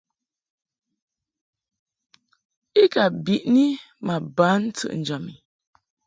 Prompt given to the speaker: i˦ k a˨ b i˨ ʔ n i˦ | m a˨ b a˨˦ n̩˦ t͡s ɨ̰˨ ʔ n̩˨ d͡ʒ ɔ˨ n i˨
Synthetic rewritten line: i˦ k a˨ b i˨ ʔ n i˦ | m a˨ b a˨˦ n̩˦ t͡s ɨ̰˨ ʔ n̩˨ d͡ʒ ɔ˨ m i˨